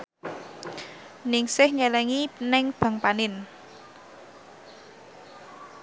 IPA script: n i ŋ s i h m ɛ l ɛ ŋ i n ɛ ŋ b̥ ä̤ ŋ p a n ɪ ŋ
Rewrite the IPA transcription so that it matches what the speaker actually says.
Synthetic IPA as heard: n ɪ ŋ s ɪ h ɲ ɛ l ɛ ŋ i n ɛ ŋ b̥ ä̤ ŋ p a n ɪ n

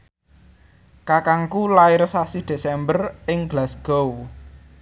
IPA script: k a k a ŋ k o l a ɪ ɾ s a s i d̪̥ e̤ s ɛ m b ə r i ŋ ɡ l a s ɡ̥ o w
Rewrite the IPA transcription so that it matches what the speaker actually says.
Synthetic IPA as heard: k a k a ŋ k u l a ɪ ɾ s a s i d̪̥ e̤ s ɛ m b ə r ɪ ŋ ɡ l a s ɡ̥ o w

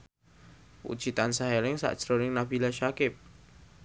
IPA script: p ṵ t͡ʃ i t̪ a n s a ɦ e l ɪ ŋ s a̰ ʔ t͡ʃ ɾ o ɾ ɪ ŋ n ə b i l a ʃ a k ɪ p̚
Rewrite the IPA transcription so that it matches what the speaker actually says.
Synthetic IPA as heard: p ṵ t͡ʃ i t̪ a n s a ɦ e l ɪ ŋ s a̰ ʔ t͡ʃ ɾ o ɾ ɪ ŋ n a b i l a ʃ a k ɪ p̚

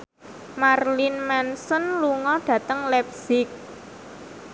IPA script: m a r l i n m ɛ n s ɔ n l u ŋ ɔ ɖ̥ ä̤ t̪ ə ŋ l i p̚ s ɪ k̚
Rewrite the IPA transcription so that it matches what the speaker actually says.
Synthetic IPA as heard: m a r l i n m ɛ n s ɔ n l u ŋ ɔ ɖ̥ ä̤ t̪ ə ŋ l ɛ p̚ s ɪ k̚

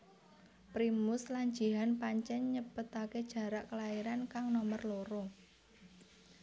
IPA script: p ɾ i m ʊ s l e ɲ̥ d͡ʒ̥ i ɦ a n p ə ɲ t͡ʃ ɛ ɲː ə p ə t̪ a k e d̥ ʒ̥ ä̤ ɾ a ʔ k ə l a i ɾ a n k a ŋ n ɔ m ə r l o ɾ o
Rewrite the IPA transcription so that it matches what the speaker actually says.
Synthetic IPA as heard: p ɾ i m ʊ s l a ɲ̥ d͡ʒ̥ i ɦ a n p a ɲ t͡ʃ ɛ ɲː ə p ə t̪ a k e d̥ ʒ̥ ä̤ ɾ a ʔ k ə l a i ɾ a n k a ŋ n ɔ m ə r l o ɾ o

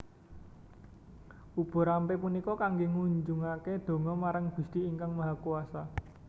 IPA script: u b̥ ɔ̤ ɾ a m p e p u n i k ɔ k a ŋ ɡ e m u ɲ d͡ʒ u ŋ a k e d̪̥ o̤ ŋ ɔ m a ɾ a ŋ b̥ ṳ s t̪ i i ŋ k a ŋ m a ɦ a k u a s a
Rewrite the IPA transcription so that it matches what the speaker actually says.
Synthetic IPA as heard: u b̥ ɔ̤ ɾ a m p e p u n i k ɔ k a ŋ ɡ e ŋ u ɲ d͡ʒ u ŋ a k e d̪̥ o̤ ŋ ɔ m a ɾ a ŋ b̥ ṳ s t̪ i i ŋ k a ŋ m a ɦ a k u a s a

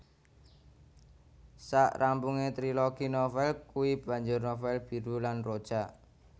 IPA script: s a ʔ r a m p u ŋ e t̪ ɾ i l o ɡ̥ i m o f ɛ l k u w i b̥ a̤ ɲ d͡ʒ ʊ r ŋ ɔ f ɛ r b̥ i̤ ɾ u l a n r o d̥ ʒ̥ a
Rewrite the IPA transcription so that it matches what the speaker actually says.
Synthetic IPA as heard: s a ʔ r a m p u ŋ e t̪ ɾ i l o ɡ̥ i n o f ɛ l k u w i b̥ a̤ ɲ d͡ʒ ʊ r n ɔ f ɛ l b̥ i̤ ɾ u l a n r o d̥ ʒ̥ a

